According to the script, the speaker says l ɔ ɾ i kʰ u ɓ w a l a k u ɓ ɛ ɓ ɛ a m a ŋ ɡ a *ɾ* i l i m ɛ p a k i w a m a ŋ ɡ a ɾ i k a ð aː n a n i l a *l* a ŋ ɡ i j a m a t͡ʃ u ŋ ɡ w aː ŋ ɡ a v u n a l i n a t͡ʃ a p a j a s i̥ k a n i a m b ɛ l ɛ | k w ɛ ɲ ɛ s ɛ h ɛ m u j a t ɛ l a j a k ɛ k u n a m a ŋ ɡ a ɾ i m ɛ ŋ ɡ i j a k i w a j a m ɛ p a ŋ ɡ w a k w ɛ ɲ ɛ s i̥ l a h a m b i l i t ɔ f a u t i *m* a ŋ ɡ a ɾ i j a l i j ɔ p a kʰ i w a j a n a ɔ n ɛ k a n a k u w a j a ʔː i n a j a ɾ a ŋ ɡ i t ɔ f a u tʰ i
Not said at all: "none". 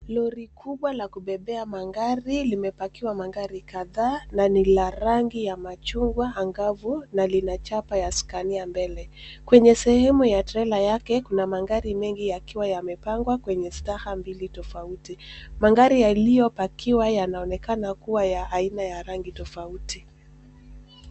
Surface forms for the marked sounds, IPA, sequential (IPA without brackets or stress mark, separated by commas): ɾ, ɾ, m